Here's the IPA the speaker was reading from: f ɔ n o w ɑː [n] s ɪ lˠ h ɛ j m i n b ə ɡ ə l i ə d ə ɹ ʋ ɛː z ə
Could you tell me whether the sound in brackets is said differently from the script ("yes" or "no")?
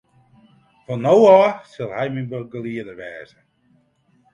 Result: yes